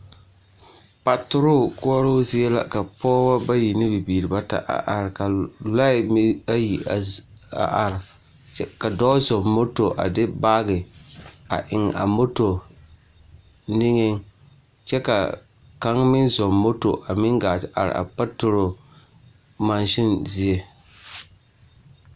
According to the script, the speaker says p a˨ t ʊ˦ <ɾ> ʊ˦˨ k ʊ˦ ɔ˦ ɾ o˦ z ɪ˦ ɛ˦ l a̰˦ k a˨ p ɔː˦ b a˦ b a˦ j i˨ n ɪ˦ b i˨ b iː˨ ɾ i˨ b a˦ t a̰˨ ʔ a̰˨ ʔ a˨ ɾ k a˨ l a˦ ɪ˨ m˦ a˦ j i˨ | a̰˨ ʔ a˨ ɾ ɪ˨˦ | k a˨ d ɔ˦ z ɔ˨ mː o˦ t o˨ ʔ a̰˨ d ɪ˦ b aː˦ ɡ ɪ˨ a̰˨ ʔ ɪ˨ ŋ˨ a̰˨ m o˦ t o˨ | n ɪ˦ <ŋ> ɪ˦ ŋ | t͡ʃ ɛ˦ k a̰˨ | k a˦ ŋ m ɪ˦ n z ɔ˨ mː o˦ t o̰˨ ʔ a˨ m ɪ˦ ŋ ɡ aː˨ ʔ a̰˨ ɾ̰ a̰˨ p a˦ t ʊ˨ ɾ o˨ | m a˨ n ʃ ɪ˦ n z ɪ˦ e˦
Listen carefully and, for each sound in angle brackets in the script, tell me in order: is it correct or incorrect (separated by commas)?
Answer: correct, correct